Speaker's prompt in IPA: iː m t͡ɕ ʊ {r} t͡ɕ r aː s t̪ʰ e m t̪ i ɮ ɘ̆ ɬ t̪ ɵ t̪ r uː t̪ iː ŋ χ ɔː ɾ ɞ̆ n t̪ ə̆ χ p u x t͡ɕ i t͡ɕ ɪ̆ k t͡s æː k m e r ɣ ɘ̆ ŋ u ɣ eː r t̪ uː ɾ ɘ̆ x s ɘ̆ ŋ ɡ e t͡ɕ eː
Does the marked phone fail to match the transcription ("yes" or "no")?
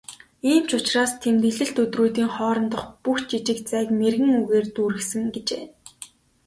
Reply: yes